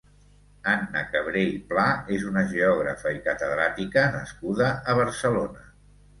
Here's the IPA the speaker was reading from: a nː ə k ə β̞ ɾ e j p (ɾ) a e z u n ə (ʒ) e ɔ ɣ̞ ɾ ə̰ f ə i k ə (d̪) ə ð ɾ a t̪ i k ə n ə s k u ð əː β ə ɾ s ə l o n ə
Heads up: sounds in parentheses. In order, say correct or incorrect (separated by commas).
incorrect, correct, incorrect